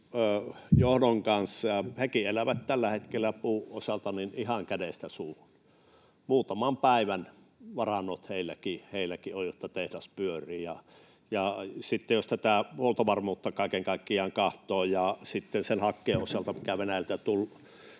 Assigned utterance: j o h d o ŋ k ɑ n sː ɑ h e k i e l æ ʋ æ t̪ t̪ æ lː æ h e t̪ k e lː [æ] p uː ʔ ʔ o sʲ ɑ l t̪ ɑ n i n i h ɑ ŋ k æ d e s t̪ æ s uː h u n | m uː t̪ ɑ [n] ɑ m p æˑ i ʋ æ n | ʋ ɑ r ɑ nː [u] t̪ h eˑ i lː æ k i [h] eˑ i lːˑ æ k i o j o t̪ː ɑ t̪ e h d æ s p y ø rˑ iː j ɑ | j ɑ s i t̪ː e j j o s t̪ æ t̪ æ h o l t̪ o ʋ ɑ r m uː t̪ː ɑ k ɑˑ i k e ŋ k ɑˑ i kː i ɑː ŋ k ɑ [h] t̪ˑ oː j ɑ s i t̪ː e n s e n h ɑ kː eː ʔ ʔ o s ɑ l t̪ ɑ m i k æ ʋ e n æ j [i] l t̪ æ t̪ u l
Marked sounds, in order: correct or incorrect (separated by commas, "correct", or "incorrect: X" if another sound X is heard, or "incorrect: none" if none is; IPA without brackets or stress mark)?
correct, incorrect: m, incorrect: o, correct, correct, incorrect: æ